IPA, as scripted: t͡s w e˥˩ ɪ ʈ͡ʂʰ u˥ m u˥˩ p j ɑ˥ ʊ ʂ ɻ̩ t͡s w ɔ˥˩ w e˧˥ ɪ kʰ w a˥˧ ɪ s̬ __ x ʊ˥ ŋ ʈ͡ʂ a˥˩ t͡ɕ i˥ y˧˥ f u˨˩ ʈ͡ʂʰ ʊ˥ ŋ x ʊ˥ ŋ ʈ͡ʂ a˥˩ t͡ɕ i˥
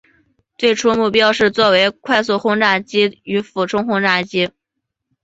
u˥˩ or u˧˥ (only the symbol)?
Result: u˥˩